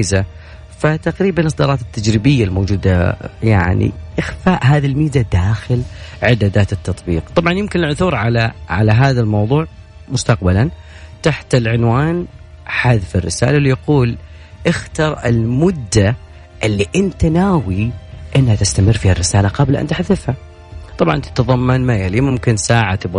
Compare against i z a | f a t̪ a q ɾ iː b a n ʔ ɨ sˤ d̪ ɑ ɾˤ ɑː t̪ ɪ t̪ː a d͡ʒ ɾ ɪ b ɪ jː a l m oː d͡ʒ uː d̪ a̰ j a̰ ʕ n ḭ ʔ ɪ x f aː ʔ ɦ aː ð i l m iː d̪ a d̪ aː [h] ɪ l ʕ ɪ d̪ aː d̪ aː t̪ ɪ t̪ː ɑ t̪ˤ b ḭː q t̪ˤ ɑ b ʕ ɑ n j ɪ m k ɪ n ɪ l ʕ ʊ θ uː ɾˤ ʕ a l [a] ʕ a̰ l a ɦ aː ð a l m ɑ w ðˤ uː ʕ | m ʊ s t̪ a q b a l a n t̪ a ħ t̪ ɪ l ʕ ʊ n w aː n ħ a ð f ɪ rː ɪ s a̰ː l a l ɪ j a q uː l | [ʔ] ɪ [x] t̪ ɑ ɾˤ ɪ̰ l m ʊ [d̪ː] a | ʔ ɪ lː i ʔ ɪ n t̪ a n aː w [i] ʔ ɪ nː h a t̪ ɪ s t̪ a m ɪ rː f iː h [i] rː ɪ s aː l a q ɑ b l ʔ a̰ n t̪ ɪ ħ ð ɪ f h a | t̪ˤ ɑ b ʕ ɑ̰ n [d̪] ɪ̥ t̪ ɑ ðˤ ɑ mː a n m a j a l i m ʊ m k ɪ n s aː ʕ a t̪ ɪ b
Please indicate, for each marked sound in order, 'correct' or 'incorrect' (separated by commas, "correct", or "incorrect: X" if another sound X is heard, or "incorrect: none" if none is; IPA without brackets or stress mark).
incorrect: x, correct, correct, correct, correct, correct, incorrect: a, incorrect: t̪